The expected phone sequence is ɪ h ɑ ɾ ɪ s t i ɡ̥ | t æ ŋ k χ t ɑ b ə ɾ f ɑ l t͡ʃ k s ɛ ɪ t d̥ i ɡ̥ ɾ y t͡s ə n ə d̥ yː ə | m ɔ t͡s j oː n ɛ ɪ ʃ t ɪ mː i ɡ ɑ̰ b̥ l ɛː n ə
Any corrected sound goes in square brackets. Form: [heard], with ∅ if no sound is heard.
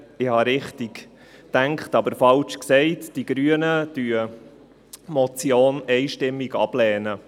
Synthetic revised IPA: ɪ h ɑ ɾ ɪ [χ] t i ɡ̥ | t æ ŋ k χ t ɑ b ə ɾ f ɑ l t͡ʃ k s ɛ ɪ t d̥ i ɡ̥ ɾ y [∅] ə n ə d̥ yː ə | m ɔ t͡s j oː n ɛ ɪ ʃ t ɪ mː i ɡ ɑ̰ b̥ l ɛː n ə